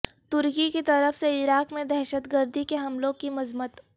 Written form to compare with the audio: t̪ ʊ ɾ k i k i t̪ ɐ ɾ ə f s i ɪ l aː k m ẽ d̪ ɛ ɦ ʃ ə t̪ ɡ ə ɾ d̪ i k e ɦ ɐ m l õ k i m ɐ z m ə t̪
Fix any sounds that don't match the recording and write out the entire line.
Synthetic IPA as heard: t̪ ʊ ɾ k i k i t̪ ɐ ɾ ə f s e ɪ ɾ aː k m ẽ d̪ ɛ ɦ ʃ ə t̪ ɡ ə ɾ d̪ i k e ɦ ɐ m l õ k i m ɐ z m ə t̪